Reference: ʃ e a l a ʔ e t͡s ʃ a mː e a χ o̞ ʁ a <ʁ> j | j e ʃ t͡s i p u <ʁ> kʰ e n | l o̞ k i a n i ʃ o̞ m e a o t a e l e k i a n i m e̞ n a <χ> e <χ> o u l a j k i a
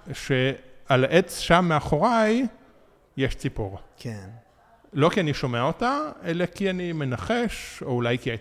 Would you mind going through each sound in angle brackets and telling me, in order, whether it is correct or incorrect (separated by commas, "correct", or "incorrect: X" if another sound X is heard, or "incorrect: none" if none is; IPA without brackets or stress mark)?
incorrect: none, correct, correct, incorrect: ʃ